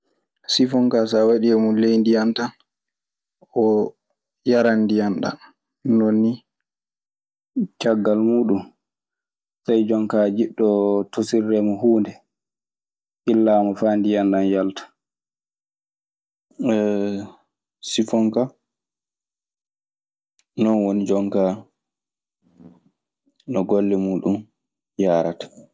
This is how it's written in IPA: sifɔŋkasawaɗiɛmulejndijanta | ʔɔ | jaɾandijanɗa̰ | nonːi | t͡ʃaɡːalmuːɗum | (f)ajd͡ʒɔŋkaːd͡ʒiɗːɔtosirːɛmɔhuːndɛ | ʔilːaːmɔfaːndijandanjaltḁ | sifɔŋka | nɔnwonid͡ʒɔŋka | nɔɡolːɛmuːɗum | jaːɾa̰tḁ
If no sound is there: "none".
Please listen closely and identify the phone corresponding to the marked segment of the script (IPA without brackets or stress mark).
s